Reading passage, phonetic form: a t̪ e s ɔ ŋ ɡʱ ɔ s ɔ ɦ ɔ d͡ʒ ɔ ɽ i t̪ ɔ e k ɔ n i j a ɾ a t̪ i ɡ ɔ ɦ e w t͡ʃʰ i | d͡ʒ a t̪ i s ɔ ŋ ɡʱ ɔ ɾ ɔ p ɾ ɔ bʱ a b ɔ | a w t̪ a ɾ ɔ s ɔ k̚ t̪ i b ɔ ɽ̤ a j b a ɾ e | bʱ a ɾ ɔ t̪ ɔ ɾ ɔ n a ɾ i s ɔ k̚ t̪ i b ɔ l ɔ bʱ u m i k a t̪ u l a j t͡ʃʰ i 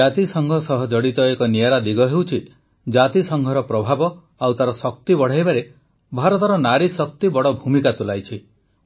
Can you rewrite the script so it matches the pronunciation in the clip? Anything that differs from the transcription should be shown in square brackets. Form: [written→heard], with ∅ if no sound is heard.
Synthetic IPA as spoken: a t̪ [e→i] s ɔ ŋ ɡʱ ɔ s ɔ ɦ ɔ d͡ʒ ɔ ɽ i t̪ ɔ e k ɔ n i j a ɾ a [t̪→d̪] i ɡ ɔ ɦ e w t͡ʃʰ i | d͡ʒ a t̪ i s ɔ ŋ ɡʱ ɔ ɾ ɔ p ɾ ɔ bʱ a b ɔ | a w t̪ a ɾ ɔ s ɔ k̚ t̪ i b ɔ ɽ̤ a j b a ɾ e | bʱ a ɾ ɔ t̪ ɔ ɾ ɔ n a ɾ i s ɔ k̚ t̪ i b ɔ [l→ɽ] ɔ bʱ u m i k a t̪ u l a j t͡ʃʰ i